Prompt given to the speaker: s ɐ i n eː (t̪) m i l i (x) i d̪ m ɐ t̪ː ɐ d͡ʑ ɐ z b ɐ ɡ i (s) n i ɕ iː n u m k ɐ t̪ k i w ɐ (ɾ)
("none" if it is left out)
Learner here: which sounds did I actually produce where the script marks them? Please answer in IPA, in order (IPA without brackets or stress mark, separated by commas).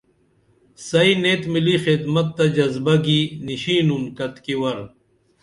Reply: t̪, x, none, ɾ